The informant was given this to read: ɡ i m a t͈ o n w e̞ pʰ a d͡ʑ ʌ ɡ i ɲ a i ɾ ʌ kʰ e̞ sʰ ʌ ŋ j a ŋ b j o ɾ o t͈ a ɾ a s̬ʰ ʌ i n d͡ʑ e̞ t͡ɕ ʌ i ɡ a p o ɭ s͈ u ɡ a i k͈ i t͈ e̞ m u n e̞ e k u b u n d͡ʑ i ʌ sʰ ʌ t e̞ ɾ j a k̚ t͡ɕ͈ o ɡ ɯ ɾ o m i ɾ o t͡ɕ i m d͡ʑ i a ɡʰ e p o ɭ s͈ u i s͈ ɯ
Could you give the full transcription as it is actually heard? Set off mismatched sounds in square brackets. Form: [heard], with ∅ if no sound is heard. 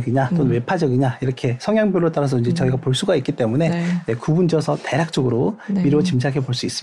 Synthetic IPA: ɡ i [ɲ] a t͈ o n w e̞ pʰ a d͡ʑ ʌ ɡ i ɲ a i ɾ ʌ kʰ e̞ sʰ ʌ ŋ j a ŋ b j o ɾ o t͈ a ɾ a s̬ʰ ʌ i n d͡ʑ e̞ t͡ɕ ʌ i ɡ a p o ɭ s͈ u ɡ a i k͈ i t͈ e̞ m u n e̞ e k u b u n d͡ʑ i ʌ sʰ ʌ t e̞ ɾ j a k̚ t͡ɕ͈ o ɡ ɯ ɾ o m i ɾ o t͡ɕ i m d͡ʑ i a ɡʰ e p o ɭ s͈ u i s͈ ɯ